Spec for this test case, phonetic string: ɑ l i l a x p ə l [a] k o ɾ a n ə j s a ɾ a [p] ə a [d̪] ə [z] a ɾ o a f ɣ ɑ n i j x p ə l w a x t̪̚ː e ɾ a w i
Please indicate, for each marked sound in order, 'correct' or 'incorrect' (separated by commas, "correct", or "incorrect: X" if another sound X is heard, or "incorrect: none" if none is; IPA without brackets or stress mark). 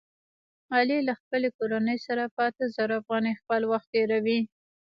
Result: incorrect: e, correct, incorrect: t̪, correct